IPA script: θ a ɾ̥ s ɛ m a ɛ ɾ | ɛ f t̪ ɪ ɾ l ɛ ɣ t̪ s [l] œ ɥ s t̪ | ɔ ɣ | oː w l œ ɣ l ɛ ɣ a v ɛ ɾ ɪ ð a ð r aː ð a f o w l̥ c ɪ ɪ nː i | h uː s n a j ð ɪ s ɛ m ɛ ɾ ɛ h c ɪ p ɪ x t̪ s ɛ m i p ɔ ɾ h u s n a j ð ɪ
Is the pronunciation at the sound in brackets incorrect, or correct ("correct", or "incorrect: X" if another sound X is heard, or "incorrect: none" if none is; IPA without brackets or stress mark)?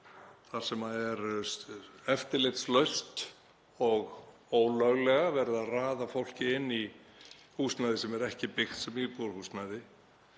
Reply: correct